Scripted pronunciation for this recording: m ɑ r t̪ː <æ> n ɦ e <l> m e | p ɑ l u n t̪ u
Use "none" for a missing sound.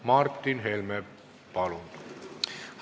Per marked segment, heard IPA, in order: i, l

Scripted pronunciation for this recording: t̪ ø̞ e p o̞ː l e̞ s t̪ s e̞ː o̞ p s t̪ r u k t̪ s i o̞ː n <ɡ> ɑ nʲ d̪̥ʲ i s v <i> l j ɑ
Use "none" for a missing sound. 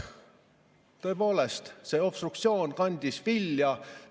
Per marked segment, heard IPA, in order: k, i

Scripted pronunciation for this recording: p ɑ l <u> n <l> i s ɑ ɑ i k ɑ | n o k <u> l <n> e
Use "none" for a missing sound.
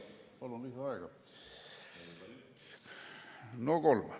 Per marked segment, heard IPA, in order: o, l, o, m

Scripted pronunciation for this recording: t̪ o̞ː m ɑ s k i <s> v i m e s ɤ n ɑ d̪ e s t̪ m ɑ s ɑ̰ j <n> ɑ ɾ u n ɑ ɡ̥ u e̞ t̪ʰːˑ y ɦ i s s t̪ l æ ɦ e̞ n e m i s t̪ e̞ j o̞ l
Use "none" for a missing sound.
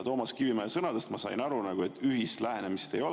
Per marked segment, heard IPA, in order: none, n

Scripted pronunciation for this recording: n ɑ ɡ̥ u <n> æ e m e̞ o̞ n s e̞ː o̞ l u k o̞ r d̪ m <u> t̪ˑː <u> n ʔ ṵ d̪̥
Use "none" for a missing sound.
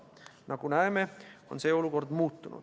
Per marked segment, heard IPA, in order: n, uː, u

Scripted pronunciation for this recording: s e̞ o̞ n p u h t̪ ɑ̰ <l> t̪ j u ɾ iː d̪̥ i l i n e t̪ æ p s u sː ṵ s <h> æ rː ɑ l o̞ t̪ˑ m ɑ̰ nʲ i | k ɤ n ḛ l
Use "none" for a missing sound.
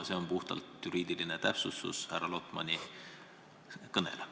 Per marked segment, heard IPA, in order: l, h

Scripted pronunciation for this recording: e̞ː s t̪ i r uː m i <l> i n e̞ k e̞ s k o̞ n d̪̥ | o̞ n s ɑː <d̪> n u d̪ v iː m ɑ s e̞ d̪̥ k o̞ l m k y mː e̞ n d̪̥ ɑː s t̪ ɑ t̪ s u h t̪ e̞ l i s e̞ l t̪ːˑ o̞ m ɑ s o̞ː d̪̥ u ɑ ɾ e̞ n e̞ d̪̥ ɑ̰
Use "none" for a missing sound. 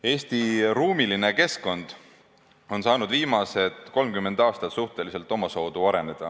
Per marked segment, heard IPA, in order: l, none

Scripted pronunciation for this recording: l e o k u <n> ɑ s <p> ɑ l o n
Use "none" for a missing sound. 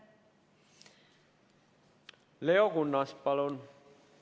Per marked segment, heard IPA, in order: nː, p

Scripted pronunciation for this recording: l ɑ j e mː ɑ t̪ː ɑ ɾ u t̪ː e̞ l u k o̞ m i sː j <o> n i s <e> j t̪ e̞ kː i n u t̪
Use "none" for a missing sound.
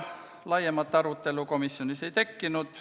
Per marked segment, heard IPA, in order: o, e

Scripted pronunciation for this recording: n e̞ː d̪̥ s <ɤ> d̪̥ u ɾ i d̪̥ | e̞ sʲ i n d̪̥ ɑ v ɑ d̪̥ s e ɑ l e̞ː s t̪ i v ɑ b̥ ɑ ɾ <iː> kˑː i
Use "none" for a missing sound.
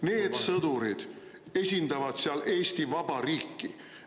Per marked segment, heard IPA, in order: ɤ, iː

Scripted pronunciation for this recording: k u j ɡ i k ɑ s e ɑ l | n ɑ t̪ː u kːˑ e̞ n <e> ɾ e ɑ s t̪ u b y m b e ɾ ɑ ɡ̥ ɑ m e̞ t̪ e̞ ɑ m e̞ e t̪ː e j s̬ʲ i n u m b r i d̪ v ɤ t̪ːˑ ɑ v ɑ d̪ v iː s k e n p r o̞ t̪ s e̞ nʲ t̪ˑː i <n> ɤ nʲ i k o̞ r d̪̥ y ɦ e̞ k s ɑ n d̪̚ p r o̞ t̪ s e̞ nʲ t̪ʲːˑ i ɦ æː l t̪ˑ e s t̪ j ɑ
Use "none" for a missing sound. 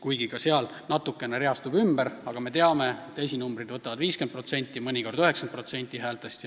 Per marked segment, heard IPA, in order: e, m

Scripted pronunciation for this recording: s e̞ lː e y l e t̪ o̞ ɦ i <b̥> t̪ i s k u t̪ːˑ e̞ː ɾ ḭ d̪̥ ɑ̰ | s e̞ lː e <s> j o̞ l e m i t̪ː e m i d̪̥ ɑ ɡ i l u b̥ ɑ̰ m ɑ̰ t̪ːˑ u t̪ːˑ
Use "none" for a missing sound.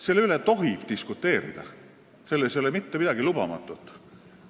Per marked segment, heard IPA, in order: b̥, s

